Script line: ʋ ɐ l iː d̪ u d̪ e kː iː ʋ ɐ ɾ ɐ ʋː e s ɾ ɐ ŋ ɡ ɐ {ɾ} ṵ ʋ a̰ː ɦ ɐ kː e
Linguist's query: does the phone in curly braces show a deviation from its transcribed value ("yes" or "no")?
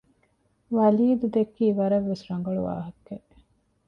yes